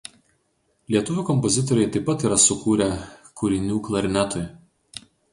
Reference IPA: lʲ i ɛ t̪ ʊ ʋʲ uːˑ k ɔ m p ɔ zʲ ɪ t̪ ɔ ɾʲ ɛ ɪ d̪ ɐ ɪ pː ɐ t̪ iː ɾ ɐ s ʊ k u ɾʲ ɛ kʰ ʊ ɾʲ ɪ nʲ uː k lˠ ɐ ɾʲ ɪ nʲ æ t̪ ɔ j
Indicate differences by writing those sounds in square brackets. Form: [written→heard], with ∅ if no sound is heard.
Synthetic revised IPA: lʲ i ɛ t̪ ʊ ʋʲ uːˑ k ɔ m p ɔ zʲ ɪ t̪ ɔ ɾʲ ɛ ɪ [d̪→t̪] ɐ ɪ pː ɐ t̪ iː ɾ ɐ s ʊ k [u→uː] ɾʲ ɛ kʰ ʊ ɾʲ ɪ nʲ uː k lˠ ɐ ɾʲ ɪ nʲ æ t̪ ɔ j